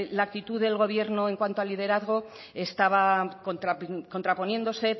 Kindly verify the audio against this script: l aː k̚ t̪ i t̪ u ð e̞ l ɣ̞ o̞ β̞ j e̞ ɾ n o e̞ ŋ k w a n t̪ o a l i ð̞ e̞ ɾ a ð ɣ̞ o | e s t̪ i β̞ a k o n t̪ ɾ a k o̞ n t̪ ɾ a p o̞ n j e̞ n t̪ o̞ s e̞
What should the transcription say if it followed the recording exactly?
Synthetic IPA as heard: l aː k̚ t̪ i t̪ u ð e̞ l ɣ̞ o̞ β̞ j e̞ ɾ n o e̞ ŋ k w a n t̪ o a l i ð̞ e̞ ɾ a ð ɣ̞ o | e s t̪ a β̞ a k o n t̪ ɾ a k o̞ n t̪ ɾ a p o̞ n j e̞ n d̪ o̞ s e̞